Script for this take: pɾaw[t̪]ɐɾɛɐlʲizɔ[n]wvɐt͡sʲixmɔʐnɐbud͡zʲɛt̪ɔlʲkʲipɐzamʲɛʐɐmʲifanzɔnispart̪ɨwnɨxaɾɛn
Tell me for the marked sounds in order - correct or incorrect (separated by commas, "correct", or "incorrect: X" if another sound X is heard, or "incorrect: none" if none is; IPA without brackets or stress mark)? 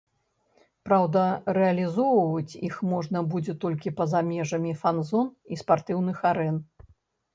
incorrect: d̪, incorrect: none